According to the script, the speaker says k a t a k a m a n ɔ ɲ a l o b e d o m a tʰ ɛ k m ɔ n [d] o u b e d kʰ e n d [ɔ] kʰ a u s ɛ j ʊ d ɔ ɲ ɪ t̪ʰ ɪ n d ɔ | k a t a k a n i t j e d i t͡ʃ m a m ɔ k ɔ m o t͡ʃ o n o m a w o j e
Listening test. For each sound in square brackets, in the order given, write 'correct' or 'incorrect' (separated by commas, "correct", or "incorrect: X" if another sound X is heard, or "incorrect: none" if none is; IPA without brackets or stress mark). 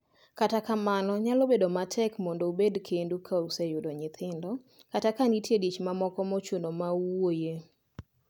correct, incorrect: u